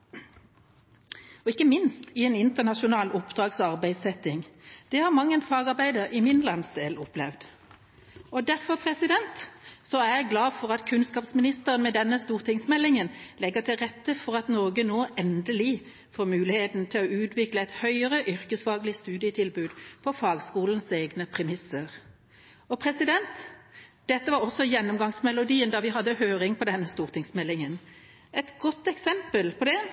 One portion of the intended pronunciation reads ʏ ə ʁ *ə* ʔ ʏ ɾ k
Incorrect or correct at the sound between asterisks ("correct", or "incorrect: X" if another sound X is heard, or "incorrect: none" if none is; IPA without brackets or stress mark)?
correct